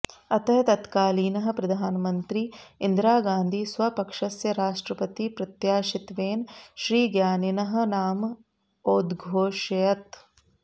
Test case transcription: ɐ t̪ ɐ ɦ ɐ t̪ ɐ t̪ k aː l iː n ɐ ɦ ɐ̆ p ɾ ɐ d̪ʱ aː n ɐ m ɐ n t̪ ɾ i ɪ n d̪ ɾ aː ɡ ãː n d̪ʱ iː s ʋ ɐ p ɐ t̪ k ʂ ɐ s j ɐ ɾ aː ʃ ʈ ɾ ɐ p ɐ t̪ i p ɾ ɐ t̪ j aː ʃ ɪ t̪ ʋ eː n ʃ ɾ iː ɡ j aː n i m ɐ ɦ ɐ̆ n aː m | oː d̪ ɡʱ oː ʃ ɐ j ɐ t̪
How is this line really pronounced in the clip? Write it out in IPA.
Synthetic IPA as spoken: ɐ t̪ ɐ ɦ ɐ t̪ ɐ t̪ k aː l iː n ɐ ɦ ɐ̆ p ɾ ɐ d̪ʱ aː n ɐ m ɐ n t̪ ɾ i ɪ n d̪ ɾ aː ɡ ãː n d̪ʱ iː s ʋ ɐ p ɐ k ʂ ɐ s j ɐ ɾ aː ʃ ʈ ɾ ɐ p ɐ t̪ i p ɾ ɐ t̪ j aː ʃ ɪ t̪ ʋ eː n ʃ ɾ iː ɡ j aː n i n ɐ ɦ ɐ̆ n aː m | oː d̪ ɡʱ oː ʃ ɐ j ɐ t̪

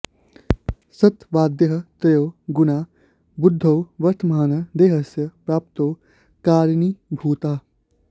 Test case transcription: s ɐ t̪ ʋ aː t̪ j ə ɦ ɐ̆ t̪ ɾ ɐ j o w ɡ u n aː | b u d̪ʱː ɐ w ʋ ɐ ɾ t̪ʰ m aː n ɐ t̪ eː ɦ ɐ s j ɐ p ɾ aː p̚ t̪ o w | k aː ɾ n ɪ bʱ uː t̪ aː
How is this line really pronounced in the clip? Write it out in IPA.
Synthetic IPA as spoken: s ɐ t̪ ʋ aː d̪ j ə ɦ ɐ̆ t̪ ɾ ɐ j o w ɡ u n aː | b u d̪ʱː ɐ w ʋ ɐ ɾ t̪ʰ m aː n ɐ d̪ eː ɦ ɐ s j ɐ p ɾ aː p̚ t̪ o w | k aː ɾ n i bʱ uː t̪ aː

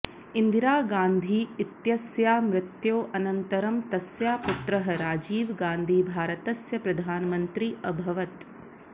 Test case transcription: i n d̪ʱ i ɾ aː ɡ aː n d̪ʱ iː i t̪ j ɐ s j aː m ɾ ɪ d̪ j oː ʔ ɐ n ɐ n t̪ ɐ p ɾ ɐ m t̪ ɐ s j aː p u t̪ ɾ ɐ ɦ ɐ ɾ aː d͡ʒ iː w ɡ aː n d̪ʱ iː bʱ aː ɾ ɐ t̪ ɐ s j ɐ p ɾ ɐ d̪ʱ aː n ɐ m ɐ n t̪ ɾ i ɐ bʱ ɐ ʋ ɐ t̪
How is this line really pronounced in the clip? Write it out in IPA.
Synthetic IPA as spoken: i n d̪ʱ i ɾ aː ɡ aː n d̪ʱ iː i t̪ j ɐ s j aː m ɾ ɪ t̪ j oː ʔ ɐ n ɐ n t̪ ɐ ɾ ɐ m t̪ ɐ s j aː p u t̪ ɾ ɐ ɦ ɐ ɾ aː d͡ʒ iː ʋ ɡ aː n d̪ʱ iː bʱ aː ɾ ɐ t̪ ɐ s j ɐ p ɾ ɐ d̪ʱ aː n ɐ m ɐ n t̪ ɾ i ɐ bʱ ɐ ʋ ɐ t̪

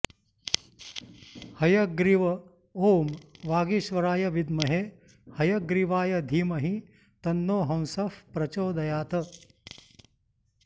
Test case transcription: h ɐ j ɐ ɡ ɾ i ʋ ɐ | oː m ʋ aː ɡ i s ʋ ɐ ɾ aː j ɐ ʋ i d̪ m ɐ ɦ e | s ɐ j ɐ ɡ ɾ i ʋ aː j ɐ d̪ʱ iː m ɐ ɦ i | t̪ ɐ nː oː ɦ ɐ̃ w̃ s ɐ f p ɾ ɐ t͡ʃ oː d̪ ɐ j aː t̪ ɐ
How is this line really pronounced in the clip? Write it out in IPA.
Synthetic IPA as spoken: h ɐ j ɐ ɡ ɾ i ʋ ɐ | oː m ʋ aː ɡ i ʃ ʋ ɐ ɾ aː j ɐ ʋ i d̪ m ɐ ɦ e | h ɐ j ɐ ɡ ɾ i ʋ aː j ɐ d̪ʱ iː m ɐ ɦ i | t̪ ɐ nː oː ɦ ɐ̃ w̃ s ɐ f p ɾ ɐ t͡ʃ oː d̪ ɐ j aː t̪ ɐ

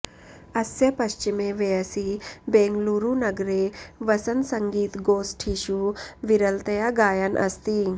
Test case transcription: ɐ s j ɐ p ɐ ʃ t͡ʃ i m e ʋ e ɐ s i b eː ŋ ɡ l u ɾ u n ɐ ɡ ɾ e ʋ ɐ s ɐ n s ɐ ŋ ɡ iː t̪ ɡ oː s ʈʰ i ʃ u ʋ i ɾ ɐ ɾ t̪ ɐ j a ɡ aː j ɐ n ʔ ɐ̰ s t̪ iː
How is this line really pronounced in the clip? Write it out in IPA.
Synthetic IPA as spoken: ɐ s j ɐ p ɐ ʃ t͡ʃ i m e ʋ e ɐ s i b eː ŋ ɡ l u ɾ u n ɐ ɡ ɾ e ʋ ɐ s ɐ n s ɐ ŋ ɡ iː t̪ ɡ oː s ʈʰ i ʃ u ʋ i ɾ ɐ l t̪ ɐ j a ɡ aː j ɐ n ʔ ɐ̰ s t̪ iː

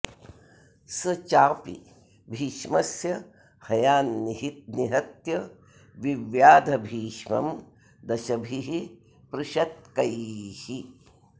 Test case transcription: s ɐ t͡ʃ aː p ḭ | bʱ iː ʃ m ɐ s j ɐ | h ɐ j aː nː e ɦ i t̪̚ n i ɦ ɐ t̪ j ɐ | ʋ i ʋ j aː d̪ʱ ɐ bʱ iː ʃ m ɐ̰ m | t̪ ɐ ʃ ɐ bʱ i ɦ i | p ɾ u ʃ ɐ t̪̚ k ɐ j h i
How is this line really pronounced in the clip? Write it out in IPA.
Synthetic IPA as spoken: s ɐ t͡ʃ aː p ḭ | bʱ iː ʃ m ɐ s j ɐ | h ɐ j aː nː i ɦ i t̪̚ n i ɦ ɐ t̪ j ɐ | ʋ i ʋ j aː d̪ʱ ɐ bʱ iː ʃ m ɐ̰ m | d̪ ɐ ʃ ɐ bʱ i ɦ i | p ɾ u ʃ ɐ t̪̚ k ɐ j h i

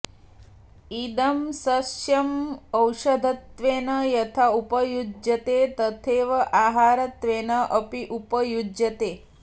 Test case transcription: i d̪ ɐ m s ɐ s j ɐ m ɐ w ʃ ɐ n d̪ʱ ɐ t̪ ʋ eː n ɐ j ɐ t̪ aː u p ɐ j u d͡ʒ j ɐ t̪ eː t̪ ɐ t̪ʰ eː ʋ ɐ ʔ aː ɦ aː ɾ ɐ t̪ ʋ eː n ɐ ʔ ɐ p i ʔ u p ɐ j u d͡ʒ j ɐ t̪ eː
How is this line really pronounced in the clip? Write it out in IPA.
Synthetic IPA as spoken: i d̪ ɐ m s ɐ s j ɐ m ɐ w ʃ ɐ d̪ʱ ɐ t̪ ʋ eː n ɐ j ɐ t̪ʰ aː u p ɐ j u d͡ʒ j ɐ t̪ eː t̪ ɐ t̪ʰ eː ʋ ɐ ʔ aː ɦ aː ɾ ɐ t̪ ʋ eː n ɐ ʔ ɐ p i ʔ u p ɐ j u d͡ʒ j ɐ t̪ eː

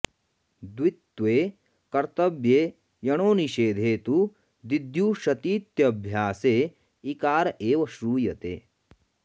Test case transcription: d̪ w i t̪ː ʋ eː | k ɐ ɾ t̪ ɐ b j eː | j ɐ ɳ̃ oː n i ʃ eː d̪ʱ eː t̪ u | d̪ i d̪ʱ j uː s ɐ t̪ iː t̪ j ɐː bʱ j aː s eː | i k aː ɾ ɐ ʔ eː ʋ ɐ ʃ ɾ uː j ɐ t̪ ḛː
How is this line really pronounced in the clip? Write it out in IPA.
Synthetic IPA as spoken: d̪ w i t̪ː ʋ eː | k ɐ ɾ t̪ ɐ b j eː | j ɐ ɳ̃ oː n i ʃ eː d̪ʱ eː t̪ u | d̪ i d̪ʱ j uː ʃ ɐ t̪ iː t̪ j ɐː bʱ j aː s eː | i k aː ɾ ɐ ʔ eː ʋ ɐ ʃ ɾ uː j ɐ t̪ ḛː

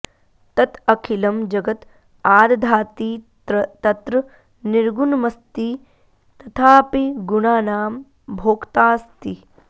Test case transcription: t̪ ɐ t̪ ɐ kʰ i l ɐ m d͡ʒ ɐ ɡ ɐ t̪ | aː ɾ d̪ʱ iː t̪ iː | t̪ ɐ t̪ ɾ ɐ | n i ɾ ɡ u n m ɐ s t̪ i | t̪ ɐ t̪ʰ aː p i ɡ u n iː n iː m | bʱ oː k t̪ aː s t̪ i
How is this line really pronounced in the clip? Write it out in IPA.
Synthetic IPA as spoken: t̪ ɐ t̪ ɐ kʰ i l ɐ m d͡ʒ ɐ ɡ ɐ t̪ | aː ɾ d̪ʱ aː t̪ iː | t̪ ɐ t̪ ɾ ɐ | n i ɾ ɡ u n m ɐ s t̪ i | t̪ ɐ t̪ʰ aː p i ɡ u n aː n aː m | bʱ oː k t̪ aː s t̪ i

